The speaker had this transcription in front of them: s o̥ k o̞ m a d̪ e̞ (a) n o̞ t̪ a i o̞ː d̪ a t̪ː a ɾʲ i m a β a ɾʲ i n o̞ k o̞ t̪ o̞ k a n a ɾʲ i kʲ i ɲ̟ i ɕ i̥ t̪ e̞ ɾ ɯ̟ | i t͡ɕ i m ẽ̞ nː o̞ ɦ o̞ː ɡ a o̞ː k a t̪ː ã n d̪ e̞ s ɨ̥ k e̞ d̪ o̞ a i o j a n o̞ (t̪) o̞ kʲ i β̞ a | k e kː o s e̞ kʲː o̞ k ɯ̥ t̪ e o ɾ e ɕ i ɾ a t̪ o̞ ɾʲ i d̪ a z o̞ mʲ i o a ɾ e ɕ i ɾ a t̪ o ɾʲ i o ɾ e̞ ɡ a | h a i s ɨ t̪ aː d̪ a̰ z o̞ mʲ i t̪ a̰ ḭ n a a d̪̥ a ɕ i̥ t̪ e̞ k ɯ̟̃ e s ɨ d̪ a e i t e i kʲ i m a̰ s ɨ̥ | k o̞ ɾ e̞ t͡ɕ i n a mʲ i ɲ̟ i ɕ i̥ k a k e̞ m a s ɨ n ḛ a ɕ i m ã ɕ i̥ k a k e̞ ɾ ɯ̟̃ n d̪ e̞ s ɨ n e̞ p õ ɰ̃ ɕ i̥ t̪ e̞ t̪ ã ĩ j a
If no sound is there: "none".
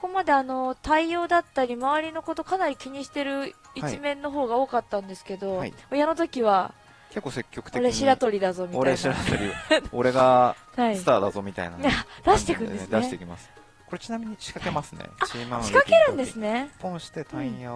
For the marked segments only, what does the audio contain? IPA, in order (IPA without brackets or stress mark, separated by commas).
a, t̪